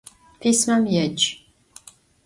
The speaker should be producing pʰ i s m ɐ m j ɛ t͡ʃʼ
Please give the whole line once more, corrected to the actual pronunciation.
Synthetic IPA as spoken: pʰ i s m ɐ m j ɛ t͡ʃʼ